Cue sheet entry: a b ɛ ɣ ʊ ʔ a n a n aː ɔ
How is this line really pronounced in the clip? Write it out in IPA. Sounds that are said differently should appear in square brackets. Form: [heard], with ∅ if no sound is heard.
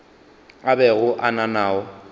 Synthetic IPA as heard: a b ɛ ɣ ʊ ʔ a n a n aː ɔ